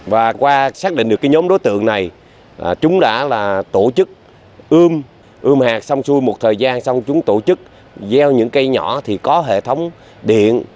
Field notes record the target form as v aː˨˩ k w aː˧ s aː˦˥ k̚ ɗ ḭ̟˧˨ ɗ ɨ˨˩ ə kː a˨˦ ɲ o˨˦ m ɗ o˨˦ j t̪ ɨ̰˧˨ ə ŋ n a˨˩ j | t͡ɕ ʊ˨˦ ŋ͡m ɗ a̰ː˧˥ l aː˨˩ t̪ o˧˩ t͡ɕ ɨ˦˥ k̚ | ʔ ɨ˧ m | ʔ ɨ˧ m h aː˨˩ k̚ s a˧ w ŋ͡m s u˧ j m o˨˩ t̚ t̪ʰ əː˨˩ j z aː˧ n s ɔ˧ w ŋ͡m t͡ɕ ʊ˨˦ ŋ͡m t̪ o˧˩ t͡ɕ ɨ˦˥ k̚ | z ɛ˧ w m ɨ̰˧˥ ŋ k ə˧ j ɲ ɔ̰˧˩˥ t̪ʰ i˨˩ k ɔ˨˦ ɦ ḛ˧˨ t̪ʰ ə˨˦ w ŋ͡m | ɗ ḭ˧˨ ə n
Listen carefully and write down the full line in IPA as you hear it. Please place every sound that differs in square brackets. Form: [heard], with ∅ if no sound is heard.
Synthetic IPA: v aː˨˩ k w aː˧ s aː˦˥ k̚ ɗ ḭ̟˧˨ ɗ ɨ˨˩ ə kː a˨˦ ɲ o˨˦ m ɗ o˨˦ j t̪ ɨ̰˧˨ ə ŋ n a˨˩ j | t͡ɕ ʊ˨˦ ŋ͡m ɗ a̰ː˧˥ l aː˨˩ t̪ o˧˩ t͡ɕ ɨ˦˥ k̚ | ʔ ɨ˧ m | ʔ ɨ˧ m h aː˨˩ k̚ s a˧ w ŋ͡m s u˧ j m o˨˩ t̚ t̪ʰ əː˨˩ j z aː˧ n s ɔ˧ w ŋ͡m t͡ɕ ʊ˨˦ ŋ͡m t̪ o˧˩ t͡ɕ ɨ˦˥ k̚ | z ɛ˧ w [ɲ] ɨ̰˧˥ ŋ k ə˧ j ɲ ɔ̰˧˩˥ t̪ʰ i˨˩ k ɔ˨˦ ɦ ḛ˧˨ t̪ʰ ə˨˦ w ŋ͡m | ɗ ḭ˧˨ ə n